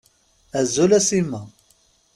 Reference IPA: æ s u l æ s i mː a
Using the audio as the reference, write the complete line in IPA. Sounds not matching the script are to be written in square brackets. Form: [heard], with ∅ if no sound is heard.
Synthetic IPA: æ [z] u l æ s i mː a